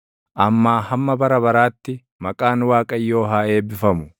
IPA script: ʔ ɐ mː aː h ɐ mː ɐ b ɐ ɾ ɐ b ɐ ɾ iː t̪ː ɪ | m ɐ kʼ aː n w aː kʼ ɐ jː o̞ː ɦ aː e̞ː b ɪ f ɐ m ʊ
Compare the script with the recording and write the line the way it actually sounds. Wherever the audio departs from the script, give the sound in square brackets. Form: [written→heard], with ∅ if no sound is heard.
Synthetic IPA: ʔ ɐ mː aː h ɐ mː ɐ b ɐ ɾ ɐ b ɐ ɾ [iː→aː] t̪ː ɪ | m ɐ kʼ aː n w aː kʼ ɐ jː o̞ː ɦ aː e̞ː b ɪ f ɐ m ʊ